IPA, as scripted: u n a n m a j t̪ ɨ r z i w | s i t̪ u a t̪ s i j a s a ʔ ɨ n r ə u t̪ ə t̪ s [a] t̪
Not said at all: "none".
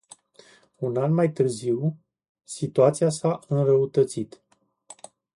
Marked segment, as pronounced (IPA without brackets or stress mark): i